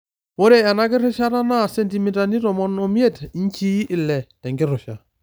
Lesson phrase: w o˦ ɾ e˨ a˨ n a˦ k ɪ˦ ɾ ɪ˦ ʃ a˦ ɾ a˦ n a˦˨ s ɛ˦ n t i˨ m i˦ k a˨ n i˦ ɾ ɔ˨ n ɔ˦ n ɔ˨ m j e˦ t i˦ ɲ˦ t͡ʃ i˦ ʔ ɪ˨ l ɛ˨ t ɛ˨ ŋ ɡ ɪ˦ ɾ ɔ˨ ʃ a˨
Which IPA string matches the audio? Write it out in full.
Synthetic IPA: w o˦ ɾ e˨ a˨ n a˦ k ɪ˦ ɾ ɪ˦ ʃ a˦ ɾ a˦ n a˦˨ s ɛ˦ n t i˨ m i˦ t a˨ n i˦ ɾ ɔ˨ m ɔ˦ n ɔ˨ m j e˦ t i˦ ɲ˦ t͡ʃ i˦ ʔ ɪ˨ l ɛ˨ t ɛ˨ ŋ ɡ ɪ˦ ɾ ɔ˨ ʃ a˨